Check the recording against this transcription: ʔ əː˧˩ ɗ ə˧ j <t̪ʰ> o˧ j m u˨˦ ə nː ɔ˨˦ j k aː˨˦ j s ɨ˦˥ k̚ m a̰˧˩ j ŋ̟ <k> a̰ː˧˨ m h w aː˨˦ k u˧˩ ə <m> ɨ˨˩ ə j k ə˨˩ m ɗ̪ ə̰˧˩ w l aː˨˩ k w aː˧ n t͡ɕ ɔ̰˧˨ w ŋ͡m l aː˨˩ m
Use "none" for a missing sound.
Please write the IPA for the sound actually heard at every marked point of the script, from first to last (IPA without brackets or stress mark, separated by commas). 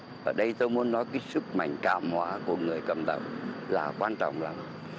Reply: t̪, k, ŋ